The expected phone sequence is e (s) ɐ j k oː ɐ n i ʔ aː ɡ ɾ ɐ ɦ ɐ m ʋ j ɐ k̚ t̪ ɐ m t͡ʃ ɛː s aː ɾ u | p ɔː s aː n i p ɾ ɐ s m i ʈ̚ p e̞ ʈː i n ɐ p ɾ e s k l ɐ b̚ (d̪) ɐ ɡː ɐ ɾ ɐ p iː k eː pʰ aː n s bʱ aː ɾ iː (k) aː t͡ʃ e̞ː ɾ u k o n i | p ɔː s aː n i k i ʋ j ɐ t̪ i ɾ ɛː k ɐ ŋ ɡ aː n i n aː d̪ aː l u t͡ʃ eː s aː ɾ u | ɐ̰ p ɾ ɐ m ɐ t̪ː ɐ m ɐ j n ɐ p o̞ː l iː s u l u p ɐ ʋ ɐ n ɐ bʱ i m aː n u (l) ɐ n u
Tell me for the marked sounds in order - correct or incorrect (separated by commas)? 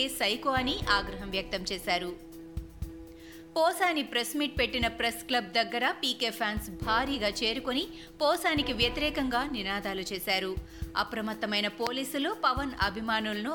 correct, correct, incorrect, correct